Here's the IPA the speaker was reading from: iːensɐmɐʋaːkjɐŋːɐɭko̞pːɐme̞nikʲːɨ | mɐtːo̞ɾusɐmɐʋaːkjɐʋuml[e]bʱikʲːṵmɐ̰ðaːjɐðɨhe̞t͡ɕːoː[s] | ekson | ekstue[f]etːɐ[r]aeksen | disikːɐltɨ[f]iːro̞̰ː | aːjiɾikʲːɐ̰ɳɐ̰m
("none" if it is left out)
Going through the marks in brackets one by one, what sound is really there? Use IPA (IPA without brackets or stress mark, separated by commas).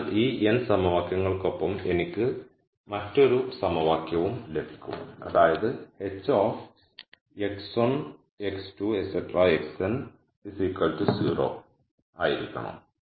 e, f, s, r, s